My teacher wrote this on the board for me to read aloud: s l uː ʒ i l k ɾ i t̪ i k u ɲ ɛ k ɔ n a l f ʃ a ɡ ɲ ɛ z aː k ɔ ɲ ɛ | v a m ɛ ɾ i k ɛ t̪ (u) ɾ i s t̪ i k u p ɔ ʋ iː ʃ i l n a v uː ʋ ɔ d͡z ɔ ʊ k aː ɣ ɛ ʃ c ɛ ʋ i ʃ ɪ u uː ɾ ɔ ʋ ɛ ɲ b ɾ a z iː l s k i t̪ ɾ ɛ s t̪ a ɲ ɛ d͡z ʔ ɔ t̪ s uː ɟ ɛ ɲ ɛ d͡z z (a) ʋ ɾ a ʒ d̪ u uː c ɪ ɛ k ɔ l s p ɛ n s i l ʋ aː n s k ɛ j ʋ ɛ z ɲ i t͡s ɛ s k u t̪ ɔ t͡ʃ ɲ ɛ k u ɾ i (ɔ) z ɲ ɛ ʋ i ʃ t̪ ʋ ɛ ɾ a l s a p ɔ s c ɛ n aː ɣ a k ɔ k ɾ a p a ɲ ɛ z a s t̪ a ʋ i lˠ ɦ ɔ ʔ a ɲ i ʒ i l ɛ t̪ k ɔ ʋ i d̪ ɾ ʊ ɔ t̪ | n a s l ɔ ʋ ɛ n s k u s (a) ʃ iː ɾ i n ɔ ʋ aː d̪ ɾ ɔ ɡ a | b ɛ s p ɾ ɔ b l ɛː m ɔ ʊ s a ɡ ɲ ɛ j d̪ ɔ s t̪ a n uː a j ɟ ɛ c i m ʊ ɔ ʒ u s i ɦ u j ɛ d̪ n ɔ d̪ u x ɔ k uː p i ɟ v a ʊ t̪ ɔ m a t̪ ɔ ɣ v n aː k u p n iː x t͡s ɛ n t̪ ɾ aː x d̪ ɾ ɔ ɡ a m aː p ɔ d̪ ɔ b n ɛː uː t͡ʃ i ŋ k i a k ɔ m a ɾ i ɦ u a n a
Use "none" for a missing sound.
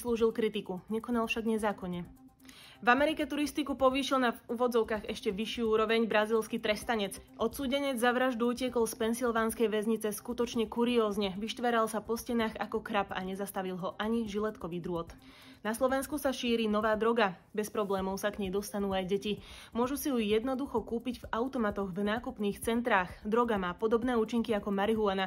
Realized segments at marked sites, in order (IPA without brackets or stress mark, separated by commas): u, a, ɔː, a